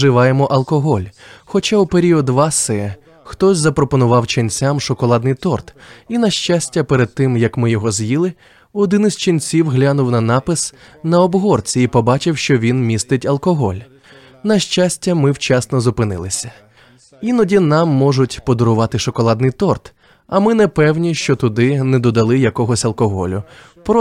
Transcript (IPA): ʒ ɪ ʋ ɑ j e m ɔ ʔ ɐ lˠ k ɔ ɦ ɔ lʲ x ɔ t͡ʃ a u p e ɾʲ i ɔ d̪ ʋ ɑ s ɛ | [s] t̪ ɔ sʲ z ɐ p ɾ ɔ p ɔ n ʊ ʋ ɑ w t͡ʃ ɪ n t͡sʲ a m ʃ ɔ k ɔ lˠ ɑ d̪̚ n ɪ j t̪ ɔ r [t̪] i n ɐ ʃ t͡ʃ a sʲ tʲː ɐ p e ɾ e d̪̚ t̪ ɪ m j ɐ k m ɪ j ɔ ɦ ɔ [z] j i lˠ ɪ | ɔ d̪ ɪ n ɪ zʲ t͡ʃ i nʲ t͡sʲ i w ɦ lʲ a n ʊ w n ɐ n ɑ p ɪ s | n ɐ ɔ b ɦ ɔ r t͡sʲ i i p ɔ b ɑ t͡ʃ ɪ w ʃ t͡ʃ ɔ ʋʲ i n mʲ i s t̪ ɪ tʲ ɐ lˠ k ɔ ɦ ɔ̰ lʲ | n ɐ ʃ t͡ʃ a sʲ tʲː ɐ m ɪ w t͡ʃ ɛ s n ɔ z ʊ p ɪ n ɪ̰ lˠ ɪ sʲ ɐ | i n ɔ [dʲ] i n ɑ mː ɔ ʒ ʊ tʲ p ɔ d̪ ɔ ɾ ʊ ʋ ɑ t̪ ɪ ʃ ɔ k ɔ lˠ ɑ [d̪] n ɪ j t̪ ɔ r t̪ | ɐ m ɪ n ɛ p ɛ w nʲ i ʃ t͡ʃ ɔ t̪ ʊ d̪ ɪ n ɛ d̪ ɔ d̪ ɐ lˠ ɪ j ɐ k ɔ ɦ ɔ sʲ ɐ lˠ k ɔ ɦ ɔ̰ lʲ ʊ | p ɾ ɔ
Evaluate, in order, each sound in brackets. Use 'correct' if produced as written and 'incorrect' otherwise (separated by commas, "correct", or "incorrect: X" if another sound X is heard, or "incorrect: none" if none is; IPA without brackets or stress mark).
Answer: incorrect: x, correct, correct, correct, correct